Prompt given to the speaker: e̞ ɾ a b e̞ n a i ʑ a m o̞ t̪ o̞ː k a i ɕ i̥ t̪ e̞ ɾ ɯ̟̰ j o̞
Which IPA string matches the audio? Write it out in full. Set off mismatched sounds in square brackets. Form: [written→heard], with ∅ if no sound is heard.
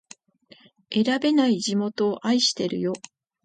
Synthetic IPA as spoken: e̞ ɾ a b e̞ n a i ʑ [a→i] m o̞ t̪ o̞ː [k→ʔ] a i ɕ i̥ t̪ e̞ ɾ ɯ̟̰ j o̞